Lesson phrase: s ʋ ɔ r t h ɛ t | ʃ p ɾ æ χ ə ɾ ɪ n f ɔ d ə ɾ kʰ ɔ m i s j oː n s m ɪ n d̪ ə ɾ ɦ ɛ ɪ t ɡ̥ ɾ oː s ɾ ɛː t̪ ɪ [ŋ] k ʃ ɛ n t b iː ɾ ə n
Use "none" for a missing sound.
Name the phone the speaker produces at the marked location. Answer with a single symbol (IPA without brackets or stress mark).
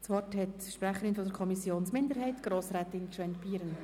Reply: n